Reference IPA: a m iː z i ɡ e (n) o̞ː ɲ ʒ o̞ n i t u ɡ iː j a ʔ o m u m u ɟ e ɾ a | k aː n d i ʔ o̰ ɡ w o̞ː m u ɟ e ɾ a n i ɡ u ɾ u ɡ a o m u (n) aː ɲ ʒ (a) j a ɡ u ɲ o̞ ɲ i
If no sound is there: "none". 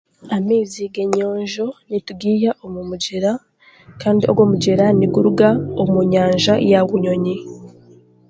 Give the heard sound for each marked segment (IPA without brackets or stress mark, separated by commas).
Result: ɲ, ɲ, a